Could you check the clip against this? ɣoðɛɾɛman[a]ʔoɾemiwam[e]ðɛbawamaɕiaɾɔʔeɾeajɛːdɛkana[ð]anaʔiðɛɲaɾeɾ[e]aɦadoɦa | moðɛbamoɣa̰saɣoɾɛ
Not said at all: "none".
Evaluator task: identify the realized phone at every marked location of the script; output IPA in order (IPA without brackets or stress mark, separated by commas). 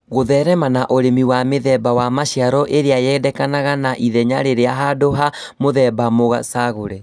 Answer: a, e, ɣ, e